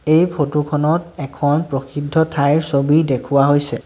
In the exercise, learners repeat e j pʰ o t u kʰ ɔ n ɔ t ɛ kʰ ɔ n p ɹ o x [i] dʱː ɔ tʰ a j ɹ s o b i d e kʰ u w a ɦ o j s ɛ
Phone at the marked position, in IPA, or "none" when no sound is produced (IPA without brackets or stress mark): i